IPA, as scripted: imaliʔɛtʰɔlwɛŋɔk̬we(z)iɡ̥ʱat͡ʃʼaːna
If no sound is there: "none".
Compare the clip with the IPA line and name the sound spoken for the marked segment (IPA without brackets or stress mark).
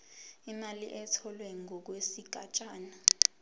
s